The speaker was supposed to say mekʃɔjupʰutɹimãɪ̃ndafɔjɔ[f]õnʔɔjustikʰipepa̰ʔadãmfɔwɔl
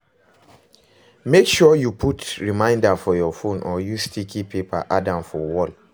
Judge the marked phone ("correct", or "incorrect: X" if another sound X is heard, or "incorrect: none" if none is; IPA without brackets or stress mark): correct